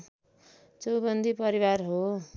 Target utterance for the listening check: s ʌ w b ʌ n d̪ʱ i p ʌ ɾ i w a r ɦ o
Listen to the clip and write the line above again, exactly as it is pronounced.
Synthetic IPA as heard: t͡s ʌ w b ʌ n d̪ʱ i p ʌ ɾ i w a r ɦ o